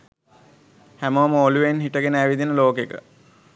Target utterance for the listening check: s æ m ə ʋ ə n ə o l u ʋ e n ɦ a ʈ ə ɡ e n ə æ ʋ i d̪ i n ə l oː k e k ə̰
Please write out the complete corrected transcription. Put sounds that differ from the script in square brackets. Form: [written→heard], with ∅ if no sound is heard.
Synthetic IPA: [s→h] æ m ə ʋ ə [n→m] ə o l u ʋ e n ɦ [a→i] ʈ ə ɡ e n ə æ ʋ i d̪ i n ə l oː k e k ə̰